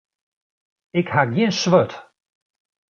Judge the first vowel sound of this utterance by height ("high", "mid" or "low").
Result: high